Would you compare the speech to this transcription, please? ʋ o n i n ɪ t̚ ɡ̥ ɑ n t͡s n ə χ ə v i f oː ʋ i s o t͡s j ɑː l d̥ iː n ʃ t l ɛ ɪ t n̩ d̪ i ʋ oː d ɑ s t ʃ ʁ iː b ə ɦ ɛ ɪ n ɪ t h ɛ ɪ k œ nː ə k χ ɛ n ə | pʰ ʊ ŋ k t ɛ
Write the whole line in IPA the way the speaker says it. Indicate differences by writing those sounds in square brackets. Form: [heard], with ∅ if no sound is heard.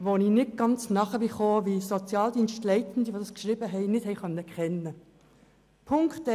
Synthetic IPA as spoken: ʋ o n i n ɪ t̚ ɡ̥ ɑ n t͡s n [ɑ] χ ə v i f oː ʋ i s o t͡s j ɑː l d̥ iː n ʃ t l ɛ ɪ t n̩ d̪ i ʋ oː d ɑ s [k] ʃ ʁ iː b ə ɦ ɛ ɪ n ɪ t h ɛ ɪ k œ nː ə k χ ɛ n ə | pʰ ʊ ŋ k t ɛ